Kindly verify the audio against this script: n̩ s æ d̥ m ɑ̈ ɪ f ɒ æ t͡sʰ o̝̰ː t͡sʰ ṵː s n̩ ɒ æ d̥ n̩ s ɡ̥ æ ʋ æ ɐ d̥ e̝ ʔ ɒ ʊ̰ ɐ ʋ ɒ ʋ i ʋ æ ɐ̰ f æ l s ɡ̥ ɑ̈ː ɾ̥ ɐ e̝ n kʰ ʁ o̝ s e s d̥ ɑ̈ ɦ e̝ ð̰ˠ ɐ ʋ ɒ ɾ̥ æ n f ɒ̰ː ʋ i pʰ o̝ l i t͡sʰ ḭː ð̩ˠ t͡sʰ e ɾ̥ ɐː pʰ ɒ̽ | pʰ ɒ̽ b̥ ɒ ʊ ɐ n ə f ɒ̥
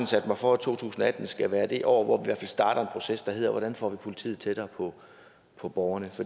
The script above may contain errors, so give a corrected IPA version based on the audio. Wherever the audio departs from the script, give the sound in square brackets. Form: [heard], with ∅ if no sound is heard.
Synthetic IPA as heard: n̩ s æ d̥ m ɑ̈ ɪ f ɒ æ t͡sʰ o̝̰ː t͡sʰ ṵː s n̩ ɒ æ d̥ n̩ s ɡ̥ æ ʋ [æː] ɐ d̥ e̝ ʔ ɒ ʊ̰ ɐ ʋ ɒ ʋ i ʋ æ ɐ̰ f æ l s [d̥] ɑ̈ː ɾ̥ ɐ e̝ n [pʰ] ʁ o̝ s e s d̥ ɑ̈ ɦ e̝ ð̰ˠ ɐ ʋ ɒ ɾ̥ æ n f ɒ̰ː ʋ i pʰ o̝ l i t͡sʰ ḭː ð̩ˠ t͡sʰ e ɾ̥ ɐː pʰ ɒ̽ | pʰ ɒ̽ b̥ ɒ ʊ ɐ n ə f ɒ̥